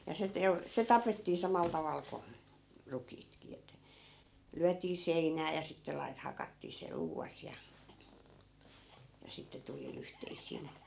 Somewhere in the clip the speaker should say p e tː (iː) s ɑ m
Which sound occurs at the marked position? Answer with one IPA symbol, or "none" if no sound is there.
iː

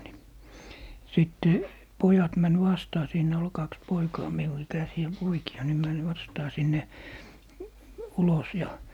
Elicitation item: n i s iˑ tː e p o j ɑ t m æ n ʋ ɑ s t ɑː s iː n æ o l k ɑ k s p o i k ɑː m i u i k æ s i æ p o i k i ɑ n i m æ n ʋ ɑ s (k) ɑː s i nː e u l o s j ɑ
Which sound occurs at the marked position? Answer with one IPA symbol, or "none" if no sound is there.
t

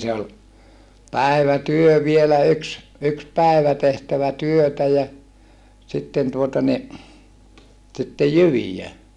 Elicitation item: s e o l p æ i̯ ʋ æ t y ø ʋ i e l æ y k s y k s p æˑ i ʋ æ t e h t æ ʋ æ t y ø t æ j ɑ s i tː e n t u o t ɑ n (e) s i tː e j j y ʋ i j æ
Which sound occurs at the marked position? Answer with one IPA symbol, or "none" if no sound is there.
i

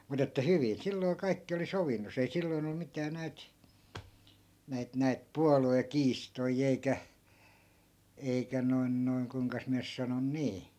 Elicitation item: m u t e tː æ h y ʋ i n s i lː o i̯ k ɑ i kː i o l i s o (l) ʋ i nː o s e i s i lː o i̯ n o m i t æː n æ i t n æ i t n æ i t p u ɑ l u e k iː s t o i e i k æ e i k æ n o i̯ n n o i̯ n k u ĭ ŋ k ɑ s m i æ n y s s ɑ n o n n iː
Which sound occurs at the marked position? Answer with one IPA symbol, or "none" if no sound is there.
none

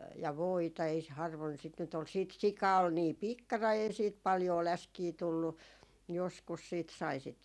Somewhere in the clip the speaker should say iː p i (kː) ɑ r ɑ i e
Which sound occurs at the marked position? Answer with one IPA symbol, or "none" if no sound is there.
kː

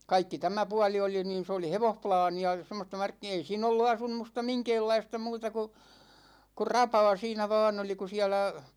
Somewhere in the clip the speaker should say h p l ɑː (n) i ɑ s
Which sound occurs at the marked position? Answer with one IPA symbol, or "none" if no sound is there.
n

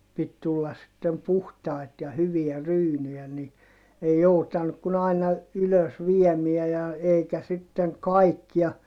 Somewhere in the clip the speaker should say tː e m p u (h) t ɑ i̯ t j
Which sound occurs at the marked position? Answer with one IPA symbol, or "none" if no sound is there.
h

